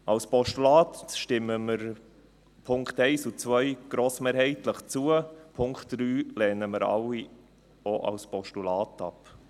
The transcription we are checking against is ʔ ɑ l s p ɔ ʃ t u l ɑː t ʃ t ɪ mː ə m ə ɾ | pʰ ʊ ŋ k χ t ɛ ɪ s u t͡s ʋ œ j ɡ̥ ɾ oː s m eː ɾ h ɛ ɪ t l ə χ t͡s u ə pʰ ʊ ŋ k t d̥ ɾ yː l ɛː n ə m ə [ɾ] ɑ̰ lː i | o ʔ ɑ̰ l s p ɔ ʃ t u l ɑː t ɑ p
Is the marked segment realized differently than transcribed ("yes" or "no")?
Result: no